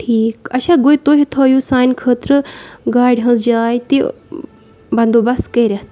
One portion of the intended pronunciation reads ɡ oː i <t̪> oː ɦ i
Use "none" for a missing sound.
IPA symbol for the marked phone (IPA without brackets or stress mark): t̪